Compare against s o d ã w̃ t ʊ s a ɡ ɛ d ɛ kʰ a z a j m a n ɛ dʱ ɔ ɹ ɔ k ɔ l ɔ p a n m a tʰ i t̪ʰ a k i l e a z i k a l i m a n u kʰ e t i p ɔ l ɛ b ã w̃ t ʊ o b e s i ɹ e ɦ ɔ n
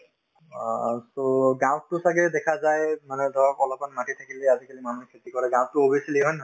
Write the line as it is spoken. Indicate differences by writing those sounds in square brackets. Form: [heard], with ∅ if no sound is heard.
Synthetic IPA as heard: s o [ɡ] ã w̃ t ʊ s a ɡ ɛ d ɛ kʰ a z a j m a n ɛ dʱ ɔ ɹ ɔ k ɔ l ɔ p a n m a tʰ i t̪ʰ a k i l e a z i k a l i m a n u kʰ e t i [k] ɔ [ɹ] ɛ [ɡ] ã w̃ t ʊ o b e s i [l] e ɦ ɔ n